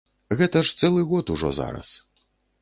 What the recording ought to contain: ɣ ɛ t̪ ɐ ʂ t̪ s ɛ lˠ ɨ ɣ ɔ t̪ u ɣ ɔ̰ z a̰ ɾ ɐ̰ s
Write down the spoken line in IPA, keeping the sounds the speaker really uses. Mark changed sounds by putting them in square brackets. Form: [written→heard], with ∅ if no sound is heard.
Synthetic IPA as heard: ɣ ɛ t̪ ɐ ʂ t̪ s ɛ lˠ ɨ ɣ ɔ t̪ u [ɣ→ʐ] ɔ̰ z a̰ ɾ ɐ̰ s